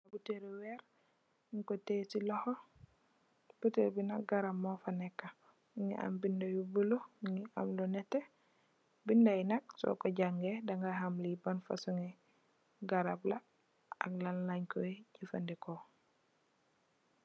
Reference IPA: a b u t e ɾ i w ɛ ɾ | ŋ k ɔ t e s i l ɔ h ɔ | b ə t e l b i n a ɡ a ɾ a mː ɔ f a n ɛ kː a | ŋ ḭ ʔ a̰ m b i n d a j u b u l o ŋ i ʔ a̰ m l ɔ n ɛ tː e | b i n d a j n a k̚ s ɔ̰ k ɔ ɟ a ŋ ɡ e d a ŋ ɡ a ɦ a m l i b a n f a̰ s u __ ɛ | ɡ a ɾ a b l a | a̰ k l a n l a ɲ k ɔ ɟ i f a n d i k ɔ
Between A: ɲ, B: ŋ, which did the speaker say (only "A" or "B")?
B